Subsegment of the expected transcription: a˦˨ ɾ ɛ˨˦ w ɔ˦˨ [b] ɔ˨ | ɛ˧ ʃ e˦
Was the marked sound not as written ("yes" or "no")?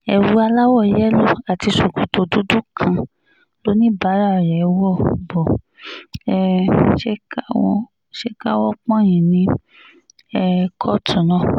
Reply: no